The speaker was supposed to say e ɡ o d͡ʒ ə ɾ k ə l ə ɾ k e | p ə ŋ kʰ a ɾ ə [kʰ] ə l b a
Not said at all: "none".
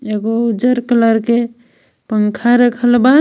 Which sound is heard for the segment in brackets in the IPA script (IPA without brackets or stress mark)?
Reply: kʰ